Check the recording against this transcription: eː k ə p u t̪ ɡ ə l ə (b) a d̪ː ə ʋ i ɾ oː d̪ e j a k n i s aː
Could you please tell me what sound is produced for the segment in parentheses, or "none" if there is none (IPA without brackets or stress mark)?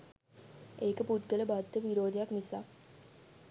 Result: b